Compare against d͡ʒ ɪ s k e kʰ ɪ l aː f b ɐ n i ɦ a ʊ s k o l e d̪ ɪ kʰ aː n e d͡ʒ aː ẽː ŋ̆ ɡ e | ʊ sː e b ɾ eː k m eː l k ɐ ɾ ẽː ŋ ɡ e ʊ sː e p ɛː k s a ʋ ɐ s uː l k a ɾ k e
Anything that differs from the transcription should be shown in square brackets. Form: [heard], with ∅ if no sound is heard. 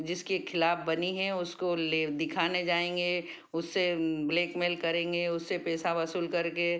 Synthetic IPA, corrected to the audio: d͡ʒ ɪ s k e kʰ ɪ l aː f b ɐ n i ɦ [ɛ] ʊ s k o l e d̪ ɪ kʰ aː n e d͡ʒ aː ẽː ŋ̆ ɡ e | ʊ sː e b [l] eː k m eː l k ɐ ɾ ẽː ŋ ɡ e ʊ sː e p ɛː [∅] s a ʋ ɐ s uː l k [ɐ] ɾ k e